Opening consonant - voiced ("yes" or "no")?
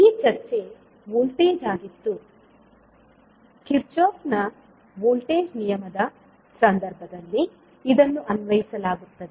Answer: no